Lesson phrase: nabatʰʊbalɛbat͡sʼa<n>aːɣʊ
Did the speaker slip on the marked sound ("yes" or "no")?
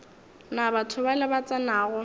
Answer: no